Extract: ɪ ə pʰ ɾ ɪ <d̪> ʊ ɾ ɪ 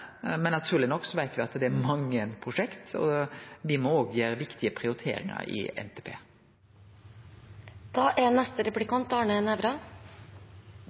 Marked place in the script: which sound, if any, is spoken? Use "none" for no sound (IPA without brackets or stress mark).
none